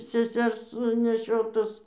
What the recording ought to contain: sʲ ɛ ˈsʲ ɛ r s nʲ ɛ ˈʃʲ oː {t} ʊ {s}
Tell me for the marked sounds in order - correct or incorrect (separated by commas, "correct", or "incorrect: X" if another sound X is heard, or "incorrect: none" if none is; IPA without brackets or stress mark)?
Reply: correct, correct